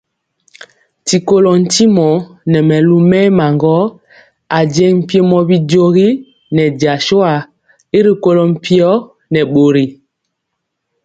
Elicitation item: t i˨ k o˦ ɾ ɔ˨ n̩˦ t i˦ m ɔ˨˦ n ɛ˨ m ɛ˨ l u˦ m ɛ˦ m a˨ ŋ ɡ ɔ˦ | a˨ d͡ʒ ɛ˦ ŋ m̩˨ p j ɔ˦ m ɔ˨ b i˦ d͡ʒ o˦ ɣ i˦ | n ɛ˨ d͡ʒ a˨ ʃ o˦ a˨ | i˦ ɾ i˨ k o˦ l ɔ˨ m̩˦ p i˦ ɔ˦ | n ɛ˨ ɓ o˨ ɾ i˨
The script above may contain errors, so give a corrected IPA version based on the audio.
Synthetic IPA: t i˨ k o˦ l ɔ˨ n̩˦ t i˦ m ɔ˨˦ n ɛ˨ m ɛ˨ l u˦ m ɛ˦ m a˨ ŋ ɡ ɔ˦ | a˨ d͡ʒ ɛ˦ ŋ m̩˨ p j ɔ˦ m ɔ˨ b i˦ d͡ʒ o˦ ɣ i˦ | n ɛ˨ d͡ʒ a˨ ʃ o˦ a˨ | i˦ ɾ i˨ k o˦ l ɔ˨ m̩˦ p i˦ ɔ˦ | n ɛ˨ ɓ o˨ ɾ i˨